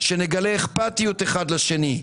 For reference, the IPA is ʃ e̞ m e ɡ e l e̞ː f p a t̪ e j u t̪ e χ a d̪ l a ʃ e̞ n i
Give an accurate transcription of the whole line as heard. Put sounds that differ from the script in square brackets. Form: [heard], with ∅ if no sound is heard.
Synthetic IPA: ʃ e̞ [n] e ɡ [a] l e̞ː [χ] p a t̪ [i] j u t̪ e χ a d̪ l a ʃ e̞ n i